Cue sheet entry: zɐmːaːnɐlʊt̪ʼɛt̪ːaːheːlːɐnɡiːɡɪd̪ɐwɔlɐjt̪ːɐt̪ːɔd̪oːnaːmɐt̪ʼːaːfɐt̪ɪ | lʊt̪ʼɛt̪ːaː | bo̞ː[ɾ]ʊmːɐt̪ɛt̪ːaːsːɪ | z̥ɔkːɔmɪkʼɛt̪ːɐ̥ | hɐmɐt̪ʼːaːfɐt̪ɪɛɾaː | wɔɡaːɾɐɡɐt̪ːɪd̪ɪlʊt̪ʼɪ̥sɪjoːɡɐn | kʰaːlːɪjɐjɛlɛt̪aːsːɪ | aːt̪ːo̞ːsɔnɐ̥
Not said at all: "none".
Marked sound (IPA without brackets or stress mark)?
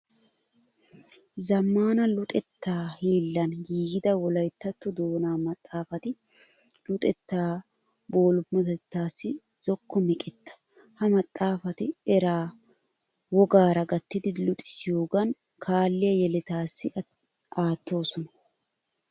l